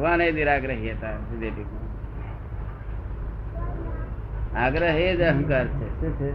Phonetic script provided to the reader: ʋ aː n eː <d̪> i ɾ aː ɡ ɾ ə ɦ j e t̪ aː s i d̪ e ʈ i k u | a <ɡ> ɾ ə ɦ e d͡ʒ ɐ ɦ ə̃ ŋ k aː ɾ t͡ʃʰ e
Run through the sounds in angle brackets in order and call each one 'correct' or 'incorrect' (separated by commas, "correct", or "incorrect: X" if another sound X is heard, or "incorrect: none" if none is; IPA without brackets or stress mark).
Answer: correct, correct